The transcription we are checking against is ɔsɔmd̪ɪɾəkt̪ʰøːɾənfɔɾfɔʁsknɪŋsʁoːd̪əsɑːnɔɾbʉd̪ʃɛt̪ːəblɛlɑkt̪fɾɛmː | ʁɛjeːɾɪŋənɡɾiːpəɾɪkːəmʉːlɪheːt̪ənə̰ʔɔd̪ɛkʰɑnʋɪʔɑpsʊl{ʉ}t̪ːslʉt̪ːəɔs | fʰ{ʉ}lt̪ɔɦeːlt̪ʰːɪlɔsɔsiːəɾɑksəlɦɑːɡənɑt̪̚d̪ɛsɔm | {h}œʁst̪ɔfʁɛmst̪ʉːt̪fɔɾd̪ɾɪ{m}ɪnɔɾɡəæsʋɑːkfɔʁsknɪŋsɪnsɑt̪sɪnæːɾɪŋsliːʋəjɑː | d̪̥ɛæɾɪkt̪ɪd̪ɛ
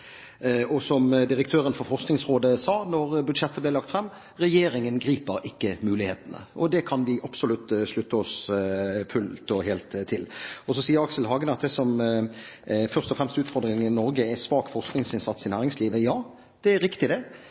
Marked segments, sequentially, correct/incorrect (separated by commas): correct, correct, incorrect, incorrect